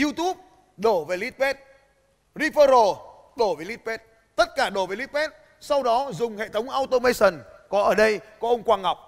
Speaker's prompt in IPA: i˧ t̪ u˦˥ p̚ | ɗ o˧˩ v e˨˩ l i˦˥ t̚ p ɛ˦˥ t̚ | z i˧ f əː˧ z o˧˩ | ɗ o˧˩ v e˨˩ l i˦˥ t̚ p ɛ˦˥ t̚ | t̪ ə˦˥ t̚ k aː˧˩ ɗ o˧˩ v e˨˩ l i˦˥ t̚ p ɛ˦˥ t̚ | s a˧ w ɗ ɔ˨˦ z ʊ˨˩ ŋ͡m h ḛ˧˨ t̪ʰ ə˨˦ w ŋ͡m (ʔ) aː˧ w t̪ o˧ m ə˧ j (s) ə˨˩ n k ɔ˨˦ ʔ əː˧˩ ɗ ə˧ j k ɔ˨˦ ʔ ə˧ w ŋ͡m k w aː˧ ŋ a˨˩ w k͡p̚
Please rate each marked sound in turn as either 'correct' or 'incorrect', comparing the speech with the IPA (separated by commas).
correct, correct